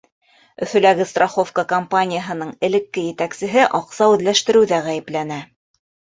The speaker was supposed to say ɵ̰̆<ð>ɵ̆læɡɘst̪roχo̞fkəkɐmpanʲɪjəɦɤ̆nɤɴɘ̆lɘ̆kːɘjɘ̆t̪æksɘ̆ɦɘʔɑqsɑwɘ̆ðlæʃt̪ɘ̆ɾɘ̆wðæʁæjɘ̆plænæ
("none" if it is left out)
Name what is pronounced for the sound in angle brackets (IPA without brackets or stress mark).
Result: θ